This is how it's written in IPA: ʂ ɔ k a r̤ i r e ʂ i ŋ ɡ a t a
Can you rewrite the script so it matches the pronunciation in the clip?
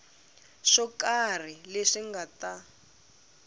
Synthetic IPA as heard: ʂ ɔ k a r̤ i l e ʂ i ŋ ɡ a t a